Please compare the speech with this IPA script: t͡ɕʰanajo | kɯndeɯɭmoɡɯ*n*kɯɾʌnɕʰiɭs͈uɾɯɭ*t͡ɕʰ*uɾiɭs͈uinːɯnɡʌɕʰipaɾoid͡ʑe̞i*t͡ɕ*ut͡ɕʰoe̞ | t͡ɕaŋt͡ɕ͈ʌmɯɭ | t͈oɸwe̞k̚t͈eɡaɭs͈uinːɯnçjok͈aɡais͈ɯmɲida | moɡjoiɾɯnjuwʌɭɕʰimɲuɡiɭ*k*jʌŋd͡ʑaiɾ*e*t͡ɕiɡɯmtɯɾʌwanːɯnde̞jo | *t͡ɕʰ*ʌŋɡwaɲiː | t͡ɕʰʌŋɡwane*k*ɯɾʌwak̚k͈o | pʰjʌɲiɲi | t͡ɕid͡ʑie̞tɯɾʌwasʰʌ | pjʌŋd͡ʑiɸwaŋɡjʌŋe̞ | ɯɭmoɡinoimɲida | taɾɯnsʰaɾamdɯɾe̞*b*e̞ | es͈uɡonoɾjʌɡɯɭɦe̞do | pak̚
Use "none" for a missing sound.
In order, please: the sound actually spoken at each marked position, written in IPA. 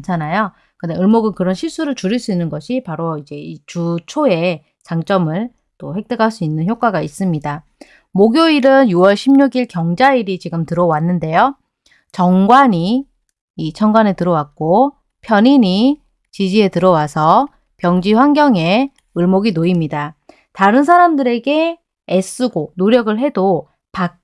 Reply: n, t͡ɕ, t͡ɕ, k, i, t͡ɕ, t, ɡ

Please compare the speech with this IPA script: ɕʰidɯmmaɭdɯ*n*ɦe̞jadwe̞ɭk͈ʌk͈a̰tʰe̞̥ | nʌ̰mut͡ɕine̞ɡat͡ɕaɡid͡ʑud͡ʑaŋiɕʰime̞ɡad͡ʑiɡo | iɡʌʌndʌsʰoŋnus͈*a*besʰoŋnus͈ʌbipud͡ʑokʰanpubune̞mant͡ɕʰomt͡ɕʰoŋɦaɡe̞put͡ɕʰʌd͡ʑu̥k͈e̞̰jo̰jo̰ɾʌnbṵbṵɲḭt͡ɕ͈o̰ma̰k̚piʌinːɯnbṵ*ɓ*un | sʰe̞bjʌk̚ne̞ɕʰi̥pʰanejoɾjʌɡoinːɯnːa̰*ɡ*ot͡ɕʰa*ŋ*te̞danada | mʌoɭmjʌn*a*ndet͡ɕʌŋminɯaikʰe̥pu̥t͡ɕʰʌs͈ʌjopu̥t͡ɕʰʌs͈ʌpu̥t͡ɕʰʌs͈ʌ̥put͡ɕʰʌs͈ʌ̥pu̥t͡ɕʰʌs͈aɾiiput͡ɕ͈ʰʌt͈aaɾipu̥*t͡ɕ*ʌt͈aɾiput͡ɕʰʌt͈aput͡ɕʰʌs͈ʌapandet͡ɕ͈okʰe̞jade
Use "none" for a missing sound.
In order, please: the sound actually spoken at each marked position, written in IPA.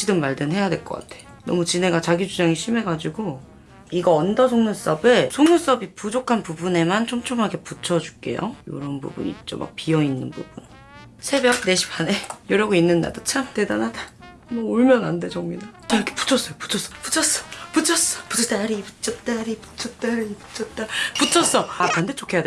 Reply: n, ʌ, b, d, m, a, t͡ɕʰ

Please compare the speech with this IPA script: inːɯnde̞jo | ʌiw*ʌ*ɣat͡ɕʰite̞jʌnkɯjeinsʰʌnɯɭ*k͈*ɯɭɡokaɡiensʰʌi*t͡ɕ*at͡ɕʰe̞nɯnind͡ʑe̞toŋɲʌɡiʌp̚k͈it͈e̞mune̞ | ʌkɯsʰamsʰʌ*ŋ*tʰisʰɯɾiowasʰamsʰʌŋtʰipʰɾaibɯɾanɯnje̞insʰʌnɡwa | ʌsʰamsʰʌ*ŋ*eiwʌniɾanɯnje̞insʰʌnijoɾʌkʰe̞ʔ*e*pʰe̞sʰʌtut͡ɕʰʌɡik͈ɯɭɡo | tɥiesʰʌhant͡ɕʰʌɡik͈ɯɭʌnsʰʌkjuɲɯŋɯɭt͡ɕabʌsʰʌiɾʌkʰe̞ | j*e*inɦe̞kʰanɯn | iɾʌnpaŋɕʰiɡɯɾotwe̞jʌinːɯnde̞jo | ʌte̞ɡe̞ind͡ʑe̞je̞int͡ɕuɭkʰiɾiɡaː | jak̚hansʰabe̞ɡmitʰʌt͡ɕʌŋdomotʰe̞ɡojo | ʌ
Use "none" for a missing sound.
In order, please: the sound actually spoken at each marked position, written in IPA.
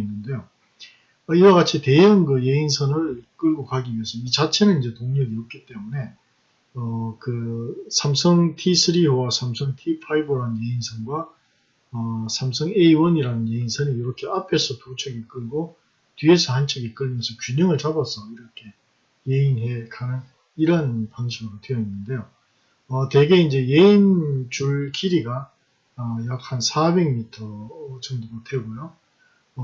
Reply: a, k͈, t͡ɕ, ŋ, ŋ, a, e

